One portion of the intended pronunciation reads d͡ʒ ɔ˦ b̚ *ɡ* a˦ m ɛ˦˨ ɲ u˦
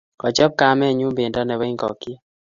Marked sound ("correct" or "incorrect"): incorrect